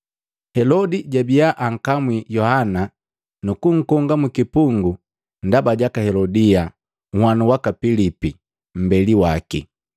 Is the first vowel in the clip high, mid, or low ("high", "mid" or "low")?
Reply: mid